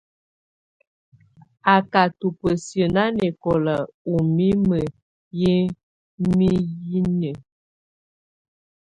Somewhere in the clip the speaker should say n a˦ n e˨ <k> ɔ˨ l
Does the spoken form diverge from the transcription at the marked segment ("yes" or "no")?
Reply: no